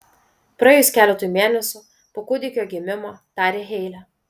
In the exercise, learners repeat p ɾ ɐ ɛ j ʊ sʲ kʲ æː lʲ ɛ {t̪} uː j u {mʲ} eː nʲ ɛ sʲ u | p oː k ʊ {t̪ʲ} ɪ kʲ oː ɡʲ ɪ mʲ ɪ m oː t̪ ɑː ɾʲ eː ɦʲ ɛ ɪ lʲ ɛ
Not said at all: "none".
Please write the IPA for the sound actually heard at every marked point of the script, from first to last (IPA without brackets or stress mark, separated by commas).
t̪, mʲ, d̪ʲ